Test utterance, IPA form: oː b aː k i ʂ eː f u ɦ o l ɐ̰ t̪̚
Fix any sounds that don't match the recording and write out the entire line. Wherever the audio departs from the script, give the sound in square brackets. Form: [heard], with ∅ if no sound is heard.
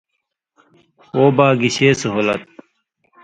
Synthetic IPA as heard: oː b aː [ɡ] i [ɕ] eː [s] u ɦ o l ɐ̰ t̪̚